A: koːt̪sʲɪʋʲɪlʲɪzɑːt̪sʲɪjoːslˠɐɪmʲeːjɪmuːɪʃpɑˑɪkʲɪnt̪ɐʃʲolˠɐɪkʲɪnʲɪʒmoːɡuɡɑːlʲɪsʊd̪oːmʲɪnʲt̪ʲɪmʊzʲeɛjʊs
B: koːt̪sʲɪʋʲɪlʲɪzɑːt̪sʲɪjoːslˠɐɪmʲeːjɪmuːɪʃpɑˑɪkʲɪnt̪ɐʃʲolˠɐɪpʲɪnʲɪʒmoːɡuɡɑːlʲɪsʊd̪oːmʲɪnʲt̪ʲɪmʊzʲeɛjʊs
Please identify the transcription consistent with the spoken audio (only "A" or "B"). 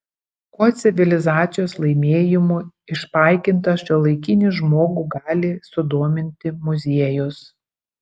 A